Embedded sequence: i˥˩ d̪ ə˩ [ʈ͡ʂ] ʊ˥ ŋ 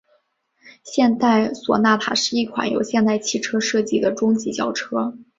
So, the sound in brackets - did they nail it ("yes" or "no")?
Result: yes